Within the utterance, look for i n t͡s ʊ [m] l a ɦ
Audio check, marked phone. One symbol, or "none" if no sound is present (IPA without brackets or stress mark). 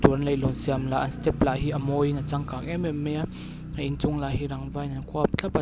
ŋ